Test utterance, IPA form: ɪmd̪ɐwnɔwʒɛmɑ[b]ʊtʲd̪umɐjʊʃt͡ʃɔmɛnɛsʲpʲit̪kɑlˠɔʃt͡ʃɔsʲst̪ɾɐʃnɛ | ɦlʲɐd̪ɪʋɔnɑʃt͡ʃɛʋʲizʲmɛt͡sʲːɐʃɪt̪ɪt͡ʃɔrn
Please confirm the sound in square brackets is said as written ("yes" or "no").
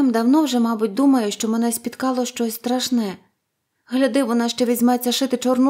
yes